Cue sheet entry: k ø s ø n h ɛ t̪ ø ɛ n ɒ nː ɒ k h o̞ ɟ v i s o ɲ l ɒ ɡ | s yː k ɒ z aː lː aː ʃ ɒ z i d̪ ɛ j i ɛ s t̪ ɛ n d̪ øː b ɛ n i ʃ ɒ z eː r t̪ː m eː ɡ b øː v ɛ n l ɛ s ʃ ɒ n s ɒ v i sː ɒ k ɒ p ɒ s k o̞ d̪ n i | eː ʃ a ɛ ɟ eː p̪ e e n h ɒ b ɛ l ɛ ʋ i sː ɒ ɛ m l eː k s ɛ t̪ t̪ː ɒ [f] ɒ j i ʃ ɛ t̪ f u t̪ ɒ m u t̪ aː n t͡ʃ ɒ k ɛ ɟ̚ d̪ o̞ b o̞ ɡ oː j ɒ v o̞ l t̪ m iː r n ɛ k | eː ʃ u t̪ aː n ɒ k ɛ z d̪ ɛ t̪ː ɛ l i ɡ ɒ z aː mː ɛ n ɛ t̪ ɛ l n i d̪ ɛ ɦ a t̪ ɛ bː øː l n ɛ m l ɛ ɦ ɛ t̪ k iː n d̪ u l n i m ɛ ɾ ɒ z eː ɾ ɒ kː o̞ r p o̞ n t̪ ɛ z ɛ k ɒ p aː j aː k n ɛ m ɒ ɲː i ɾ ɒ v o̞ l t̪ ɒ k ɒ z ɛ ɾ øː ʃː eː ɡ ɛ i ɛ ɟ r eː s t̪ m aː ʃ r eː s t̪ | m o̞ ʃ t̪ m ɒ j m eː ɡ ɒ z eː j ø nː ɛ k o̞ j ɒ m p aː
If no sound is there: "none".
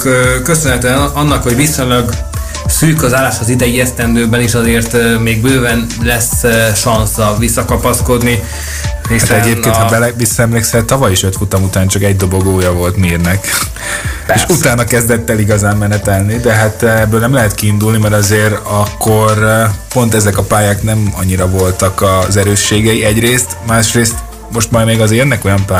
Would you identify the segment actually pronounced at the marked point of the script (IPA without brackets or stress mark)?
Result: v